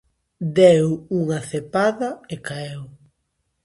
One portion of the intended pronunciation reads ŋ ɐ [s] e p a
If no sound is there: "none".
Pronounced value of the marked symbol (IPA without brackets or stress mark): θ